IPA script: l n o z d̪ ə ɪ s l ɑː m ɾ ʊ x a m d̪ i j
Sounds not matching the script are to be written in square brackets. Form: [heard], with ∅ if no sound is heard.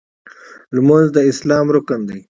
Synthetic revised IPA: l [m] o z d̪ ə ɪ s l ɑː m ɾ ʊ [k] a [n] d̪ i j